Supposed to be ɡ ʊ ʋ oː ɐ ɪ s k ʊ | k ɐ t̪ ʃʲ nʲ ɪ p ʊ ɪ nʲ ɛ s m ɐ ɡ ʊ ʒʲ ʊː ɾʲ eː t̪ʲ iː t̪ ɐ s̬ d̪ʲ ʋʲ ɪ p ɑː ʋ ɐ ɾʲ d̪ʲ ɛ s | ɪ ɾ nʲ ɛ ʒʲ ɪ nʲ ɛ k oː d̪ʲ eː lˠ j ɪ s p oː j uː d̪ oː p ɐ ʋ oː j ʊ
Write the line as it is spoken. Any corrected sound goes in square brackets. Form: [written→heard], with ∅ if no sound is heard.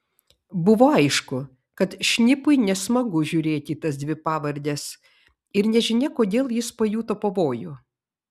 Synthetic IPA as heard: [ɡ→b] ʊ ʋ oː ɐ ɪ [s→ʃ] k ʊ | k ɐ t̪ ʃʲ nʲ ɪ p ʊ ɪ nʲ ɛ s m ɐ ɡ ʊ ʒʲ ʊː ɾʲ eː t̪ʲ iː t̪ ɐ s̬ d̪ʲ ʋʲ ɪ p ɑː ʋ ɐ ɾʲ d̪ʲ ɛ s | ɪ ɾ nʲ ɛ ʒʲ ɪ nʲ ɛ k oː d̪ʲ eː lˠ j ɪ s p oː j uː [d̪→t̪] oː p ɐ ʋ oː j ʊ